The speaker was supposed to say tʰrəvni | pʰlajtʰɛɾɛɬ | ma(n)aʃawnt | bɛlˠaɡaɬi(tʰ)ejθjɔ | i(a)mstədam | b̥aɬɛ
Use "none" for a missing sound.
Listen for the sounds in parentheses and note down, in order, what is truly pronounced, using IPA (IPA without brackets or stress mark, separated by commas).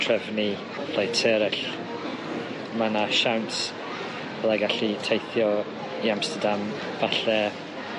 n, tʰ, a